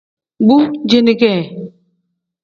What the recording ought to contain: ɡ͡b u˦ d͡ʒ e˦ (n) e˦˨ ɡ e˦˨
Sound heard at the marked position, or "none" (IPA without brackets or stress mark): n